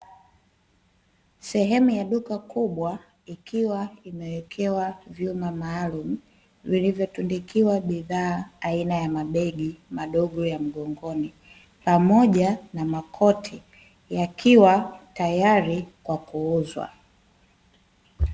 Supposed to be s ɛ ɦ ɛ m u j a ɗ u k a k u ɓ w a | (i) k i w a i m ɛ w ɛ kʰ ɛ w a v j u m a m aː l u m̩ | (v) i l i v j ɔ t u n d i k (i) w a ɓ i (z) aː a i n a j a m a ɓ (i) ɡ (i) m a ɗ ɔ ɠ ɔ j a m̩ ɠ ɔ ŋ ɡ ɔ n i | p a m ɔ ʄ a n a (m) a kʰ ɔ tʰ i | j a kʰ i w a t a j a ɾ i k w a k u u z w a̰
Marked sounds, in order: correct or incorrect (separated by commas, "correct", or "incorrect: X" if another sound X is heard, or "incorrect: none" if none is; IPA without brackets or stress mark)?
correct, correct, correct, incorrect: ð, incorrect: ɛ, correct, correct